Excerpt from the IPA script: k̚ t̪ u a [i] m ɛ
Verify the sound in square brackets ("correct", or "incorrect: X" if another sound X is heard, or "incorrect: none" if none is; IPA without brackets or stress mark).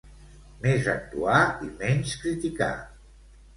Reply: correct